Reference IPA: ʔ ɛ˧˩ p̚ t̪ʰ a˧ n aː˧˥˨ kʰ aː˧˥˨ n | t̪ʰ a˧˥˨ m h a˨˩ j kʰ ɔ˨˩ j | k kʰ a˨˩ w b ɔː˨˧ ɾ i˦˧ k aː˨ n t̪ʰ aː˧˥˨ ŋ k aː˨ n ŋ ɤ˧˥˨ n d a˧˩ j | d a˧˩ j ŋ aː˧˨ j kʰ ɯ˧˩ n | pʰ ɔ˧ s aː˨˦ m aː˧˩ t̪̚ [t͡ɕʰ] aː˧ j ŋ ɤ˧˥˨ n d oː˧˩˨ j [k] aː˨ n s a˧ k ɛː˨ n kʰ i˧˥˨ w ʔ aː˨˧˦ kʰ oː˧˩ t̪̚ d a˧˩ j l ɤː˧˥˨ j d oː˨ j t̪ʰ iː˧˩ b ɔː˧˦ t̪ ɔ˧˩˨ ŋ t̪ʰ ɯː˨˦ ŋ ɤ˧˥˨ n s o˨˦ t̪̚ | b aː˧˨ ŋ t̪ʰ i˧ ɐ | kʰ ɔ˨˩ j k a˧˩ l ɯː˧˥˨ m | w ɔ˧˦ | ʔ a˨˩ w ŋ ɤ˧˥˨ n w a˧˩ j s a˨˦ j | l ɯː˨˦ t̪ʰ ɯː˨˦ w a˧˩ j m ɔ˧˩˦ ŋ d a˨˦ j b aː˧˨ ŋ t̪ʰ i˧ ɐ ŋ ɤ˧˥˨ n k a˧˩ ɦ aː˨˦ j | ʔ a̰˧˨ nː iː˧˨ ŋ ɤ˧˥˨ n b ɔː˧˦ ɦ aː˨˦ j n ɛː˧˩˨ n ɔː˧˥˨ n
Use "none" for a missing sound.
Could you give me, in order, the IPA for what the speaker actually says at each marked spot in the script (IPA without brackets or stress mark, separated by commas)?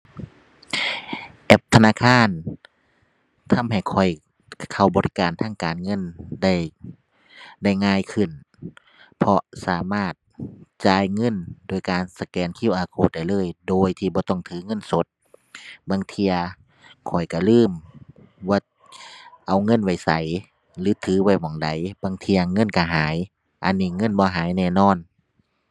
t͡ɕ, k